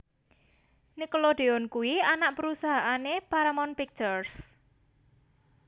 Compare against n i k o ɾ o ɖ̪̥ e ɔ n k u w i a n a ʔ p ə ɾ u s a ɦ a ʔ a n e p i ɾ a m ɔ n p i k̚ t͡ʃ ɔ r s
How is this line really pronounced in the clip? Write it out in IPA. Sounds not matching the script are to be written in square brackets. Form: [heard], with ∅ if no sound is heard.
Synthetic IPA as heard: n i k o [l] o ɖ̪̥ e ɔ n k u w i a n a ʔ p ə ɾ u s a ɦ a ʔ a n e p [a] ɾ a m ɔ n p i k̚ t͡ʃ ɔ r s